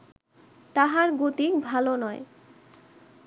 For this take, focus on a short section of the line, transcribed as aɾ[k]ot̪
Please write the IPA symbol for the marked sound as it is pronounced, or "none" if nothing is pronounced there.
ɡ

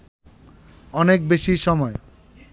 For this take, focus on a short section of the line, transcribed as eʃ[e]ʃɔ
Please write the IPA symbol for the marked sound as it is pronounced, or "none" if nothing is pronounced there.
i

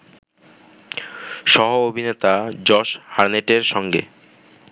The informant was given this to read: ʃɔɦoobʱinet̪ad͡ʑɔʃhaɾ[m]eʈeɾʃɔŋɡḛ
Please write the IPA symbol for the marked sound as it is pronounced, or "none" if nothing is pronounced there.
n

